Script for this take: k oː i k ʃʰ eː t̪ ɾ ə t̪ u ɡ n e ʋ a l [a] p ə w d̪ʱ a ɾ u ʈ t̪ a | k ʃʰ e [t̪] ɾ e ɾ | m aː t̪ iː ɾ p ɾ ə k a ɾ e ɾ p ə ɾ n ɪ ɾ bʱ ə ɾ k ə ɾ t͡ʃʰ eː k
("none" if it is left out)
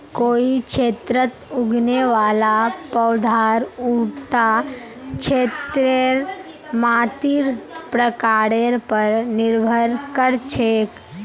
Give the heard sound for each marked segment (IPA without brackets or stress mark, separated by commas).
a, t̪